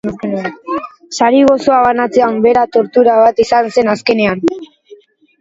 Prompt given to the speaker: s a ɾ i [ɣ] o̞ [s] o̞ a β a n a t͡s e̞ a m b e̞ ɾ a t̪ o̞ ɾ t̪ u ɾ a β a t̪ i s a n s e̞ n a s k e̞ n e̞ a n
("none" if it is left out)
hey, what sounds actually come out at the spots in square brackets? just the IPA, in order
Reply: ɣ, s

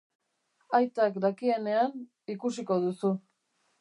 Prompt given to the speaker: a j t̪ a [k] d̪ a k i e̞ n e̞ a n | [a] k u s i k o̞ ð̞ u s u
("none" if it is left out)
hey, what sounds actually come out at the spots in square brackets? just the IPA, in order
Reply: k, i

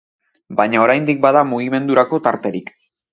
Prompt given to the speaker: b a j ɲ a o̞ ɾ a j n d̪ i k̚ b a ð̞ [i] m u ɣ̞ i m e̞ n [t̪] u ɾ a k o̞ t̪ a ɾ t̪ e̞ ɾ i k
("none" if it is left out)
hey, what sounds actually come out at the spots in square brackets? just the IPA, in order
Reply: a, d̪

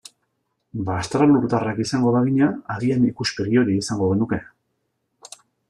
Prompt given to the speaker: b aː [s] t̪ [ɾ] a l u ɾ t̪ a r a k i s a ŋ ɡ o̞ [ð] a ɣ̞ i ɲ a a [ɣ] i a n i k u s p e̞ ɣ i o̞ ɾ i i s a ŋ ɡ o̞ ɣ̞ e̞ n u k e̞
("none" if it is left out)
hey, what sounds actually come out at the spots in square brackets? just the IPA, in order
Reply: s, ɾ, ð, ð

